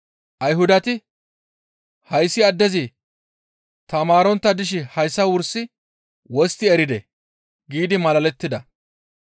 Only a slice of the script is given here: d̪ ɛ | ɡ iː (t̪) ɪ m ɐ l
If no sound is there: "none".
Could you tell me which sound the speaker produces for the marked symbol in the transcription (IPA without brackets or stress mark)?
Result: d̪